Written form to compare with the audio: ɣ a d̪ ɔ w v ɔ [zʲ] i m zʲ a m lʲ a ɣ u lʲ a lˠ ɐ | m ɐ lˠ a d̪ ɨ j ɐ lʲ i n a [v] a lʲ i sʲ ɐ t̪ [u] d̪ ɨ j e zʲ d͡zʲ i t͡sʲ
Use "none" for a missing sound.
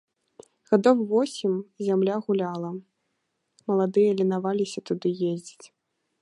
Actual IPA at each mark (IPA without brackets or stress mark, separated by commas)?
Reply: sʲ, v, u